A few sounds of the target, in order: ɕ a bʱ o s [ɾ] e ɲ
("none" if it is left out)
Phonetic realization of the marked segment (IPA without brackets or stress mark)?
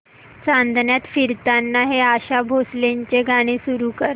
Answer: l